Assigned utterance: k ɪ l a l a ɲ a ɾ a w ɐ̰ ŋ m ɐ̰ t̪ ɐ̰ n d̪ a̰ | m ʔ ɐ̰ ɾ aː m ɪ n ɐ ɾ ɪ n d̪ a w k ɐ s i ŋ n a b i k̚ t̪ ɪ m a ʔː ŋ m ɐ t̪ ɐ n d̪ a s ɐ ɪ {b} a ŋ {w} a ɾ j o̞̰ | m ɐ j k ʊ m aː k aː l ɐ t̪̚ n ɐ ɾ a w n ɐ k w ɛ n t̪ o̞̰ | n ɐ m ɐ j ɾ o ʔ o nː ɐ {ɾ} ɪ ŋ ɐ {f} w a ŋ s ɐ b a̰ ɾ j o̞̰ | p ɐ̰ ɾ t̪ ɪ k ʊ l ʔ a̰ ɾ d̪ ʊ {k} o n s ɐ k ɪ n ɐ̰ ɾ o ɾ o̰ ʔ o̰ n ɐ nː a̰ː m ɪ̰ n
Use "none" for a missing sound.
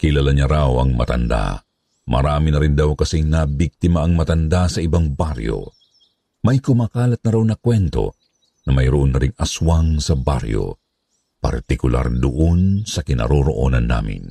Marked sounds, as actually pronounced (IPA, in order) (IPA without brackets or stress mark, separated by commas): b, b, ɾ, s, ʔ